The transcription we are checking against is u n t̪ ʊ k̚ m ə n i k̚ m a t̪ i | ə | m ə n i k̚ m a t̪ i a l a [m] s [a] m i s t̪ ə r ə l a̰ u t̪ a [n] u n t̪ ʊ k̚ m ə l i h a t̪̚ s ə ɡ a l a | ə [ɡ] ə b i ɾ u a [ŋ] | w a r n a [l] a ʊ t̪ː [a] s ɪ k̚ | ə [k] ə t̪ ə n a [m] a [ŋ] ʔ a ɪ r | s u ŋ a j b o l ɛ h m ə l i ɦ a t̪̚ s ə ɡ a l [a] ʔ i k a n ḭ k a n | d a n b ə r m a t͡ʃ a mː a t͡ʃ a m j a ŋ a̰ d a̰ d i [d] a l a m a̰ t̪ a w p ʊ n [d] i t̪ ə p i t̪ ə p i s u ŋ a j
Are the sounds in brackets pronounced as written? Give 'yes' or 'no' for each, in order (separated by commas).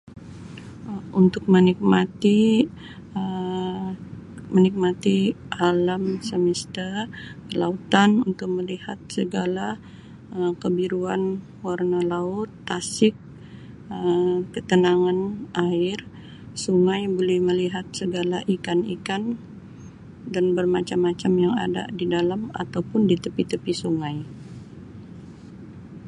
yes, no, yes, no, no, yes, yes, yes, no, no, yes, yes, yes